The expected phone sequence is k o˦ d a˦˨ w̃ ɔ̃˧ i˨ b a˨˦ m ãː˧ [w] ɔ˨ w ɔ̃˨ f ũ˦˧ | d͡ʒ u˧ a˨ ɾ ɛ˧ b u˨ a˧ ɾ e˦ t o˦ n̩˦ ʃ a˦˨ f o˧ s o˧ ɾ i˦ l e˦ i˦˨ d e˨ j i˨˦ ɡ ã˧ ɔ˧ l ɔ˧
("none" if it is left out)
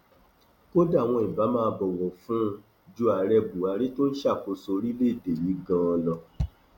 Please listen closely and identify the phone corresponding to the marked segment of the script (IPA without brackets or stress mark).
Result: b